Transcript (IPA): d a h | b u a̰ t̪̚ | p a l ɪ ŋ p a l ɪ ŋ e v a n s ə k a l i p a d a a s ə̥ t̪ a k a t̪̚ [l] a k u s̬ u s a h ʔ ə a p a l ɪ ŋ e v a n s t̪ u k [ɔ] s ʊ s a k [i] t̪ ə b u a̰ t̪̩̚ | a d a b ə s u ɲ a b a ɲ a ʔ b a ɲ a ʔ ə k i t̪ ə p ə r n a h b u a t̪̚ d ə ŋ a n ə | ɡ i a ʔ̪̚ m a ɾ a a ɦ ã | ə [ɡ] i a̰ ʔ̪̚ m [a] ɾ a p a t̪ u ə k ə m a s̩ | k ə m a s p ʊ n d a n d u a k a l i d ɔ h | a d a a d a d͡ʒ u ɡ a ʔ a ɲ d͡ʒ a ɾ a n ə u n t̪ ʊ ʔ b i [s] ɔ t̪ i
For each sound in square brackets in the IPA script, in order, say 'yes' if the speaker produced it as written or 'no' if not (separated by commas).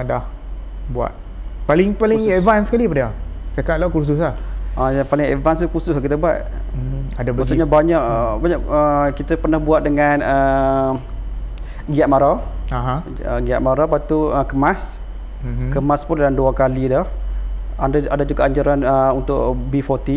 yes, no, yes, yes, yes, no